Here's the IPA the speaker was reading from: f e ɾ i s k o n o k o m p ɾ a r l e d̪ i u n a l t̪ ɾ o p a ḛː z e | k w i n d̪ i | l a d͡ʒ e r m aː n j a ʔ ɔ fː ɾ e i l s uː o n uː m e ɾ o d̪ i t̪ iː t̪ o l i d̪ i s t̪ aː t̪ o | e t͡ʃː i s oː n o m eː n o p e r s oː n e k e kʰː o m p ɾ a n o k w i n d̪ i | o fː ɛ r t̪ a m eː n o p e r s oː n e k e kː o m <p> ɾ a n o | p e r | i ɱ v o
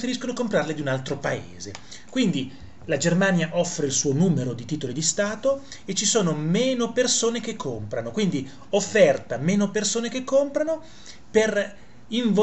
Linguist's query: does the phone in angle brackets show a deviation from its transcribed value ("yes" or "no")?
no